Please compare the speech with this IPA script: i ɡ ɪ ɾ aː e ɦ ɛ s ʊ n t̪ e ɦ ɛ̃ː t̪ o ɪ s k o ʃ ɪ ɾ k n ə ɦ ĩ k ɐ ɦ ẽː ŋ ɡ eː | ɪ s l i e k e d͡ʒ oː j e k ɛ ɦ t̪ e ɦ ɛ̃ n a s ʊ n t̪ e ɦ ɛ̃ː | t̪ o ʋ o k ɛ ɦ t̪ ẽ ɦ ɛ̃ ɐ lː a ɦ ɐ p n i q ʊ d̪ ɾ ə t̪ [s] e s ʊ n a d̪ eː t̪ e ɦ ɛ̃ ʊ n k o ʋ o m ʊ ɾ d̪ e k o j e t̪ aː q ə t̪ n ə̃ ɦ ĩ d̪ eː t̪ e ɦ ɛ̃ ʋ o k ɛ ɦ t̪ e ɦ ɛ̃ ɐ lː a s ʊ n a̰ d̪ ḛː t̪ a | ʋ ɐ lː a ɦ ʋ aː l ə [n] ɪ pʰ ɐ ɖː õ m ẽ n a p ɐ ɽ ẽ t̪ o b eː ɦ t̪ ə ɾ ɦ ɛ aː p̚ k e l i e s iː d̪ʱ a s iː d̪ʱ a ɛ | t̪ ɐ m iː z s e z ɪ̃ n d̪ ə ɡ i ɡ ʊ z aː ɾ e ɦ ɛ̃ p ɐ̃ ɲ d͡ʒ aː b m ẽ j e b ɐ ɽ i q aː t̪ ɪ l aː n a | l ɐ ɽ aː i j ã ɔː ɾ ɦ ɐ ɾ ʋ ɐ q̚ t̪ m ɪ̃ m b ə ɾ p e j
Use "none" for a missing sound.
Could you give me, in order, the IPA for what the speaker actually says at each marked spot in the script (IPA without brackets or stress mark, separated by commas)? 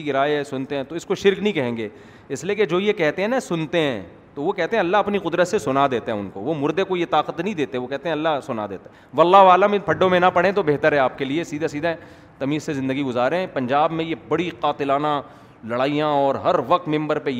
s, m